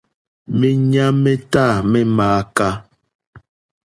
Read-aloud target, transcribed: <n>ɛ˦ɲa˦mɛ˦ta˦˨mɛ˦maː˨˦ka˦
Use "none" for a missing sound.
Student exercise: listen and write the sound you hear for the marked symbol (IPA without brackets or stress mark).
m